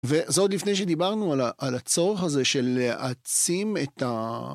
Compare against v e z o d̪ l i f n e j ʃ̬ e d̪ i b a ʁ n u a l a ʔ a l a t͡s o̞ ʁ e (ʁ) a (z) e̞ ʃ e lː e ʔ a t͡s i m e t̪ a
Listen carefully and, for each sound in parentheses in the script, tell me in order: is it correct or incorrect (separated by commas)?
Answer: incorrect, correct